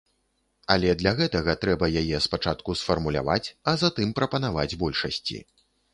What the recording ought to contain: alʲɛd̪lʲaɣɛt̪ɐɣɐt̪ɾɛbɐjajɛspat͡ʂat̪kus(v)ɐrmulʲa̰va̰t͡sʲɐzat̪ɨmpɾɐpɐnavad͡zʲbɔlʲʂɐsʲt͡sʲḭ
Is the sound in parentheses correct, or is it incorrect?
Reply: incorrect